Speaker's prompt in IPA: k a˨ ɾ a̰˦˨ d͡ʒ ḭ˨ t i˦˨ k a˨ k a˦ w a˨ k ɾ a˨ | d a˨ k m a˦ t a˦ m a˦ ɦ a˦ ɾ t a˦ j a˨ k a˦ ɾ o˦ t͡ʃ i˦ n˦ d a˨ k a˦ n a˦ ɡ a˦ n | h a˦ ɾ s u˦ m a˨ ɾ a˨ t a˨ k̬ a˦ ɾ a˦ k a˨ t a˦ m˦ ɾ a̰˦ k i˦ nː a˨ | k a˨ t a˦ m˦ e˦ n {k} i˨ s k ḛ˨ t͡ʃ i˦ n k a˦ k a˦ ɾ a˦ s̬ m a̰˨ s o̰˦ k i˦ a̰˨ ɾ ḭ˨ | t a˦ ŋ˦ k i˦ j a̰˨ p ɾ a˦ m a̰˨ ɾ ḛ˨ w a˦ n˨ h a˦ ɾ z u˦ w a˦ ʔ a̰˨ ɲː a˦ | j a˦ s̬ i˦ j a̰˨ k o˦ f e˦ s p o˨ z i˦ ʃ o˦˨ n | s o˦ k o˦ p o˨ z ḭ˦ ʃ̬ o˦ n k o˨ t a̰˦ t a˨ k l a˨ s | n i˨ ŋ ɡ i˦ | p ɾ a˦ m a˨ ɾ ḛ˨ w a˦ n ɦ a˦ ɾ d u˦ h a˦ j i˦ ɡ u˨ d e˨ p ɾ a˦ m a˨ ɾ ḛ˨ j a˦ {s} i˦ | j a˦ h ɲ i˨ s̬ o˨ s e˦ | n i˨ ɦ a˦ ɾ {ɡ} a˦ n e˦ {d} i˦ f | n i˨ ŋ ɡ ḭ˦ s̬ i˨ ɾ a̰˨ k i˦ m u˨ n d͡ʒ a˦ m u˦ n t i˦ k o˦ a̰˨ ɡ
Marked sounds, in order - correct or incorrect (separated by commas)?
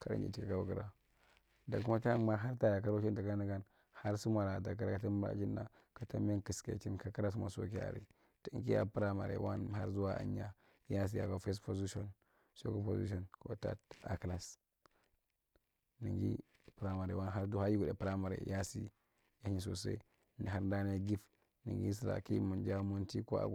correct, correct, incorrect, incorrect